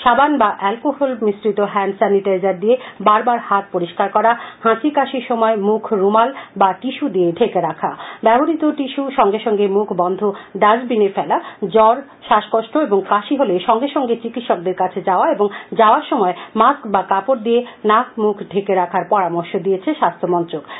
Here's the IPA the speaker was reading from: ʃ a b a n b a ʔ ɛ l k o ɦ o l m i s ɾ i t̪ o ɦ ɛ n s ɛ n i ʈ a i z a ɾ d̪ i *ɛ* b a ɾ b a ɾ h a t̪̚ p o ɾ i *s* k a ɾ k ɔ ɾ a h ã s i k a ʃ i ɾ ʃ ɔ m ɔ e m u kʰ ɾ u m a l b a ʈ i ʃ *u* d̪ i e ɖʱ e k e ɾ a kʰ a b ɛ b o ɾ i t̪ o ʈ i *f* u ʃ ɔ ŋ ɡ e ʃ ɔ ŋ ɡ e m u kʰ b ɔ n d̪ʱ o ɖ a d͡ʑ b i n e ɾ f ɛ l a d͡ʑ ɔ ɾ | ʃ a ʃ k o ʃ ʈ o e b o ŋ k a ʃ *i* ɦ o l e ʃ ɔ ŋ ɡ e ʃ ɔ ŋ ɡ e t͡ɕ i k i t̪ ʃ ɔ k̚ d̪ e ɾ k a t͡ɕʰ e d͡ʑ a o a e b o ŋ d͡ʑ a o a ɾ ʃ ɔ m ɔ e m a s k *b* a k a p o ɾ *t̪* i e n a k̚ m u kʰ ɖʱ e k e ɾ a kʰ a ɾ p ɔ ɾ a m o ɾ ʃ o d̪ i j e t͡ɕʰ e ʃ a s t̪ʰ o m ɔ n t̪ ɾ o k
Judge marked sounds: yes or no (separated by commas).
no, no, yes, no, yes, yes, no